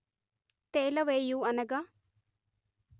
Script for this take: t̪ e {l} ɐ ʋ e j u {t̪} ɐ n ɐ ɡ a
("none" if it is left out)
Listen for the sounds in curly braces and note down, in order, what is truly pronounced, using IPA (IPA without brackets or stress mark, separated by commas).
l, none